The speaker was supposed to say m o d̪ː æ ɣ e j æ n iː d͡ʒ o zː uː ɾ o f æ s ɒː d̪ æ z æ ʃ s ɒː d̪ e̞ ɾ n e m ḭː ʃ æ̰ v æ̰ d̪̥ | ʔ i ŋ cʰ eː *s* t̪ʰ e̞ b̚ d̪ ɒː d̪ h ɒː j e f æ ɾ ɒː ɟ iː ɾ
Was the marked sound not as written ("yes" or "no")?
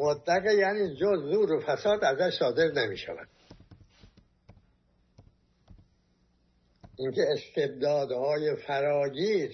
no